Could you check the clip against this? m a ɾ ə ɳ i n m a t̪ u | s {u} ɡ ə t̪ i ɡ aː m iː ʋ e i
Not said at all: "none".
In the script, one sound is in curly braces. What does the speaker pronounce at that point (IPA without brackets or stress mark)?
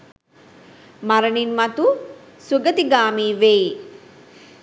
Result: u